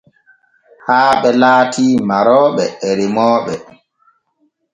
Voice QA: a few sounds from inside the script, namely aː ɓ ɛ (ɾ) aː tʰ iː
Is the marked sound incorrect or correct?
incorrect: l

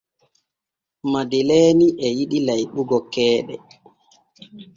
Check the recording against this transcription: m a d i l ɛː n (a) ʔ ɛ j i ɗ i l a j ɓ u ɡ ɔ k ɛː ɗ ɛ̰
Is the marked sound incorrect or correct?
incorrect: i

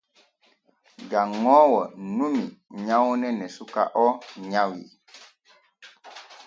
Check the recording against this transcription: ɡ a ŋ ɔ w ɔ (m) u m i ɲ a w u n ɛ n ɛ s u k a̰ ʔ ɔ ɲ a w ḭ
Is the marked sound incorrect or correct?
incorrect: n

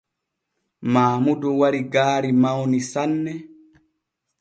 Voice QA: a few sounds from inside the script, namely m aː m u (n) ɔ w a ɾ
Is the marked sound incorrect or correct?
incorrect: d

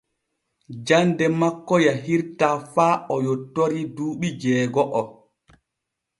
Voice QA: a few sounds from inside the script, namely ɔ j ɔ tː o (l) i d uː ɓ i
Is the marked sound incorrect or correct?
incorrect: ɾ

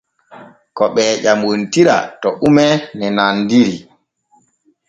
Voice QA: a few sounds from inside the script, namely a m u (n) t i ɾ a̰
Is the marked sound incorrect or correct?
correct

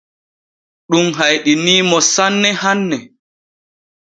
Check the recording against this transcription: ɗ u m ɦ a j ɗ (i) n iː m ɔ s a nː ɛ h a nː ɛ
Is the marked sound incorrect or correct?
correct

